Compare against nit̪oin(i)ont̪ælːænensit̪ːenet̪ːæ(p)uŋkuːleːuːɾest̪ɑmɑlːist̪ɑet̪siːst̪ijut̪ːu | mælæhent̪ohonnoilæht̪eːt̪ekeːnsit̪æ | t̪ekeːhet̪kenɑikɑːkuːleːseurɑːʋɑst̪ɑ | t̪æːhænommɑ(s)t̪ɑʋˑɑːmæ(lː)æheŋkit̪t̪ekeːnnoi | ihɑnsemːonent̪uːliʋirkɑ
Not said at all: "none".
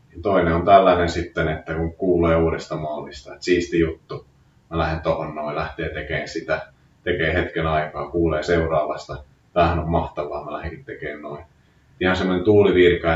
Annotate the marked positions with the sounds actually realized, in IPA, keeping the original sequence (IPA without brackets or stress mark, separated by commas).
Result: e, k, h, l